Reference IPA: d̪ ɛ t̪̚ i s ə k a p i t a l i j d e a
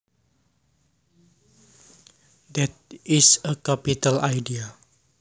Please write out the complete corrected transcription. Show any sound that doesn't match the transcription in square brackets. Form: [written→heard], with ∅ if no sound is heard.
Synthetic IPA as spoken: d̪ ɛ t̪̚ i s ə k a p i t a l [i→a] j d [e→i] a